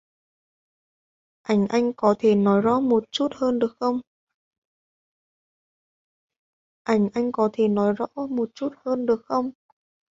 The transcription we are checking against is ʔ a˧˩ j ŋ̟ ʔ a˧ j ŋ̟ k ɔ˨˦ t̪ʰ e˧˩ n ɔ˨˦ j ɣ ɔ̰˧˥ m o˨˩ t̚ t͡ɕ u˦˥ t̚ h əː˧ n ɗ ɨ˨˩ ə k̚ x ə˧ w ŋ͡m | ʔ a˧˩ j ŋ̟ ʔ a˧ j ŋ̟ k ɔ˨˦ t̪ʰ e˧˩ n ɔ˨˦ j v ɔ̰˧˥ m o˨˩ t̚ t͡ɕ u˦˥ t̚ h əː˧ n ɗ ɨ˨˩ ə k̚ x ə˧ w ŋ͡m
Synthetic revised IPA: ʔ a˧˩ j ŋ̟ ʔ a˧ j ŋ̟ k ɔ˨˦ t̪ʰ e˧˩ n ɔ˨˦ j z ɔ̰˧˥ m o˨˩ t̚ t͡ɕ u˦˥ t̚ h əː˧ n ɗ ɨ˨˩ ə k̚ x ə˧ w ŋ͡m | ʔ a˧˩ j ŋ̟ ʔ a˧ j ŋ̟ k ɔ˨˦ t̪ʰ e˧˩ n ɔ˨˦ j z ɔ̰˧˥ m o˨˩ t̚ t͡ɕ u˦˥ t̚ h əː˧ n ɗ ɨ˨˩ ə k̚ x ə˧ w ŋ͡m